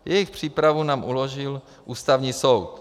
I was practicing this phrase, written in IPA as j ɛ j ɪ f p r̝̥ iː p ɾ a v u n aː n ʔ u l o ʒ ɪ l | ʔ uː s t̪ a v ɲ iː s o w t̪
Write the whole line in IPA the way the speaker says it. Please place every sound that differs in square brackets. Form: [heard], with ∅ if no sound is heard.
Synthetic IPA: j ɛ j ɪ [x] p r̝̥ iː p ɾ a v u n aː [m] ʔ u l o ʒ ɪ l | ʔ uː s t̪ a v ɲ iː s o w t̪